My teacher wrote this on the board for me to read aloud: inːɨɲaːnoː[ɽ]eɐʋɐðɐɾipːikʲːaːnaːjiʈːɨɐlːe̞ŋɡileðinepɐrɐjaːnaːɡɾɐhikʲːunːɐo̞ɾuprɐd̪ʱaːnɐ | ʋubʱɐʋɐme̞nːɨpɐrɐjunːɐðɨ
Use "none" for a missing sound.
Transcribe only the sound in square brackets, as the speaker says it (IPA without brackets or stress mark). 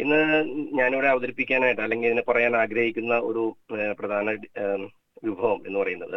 ɽ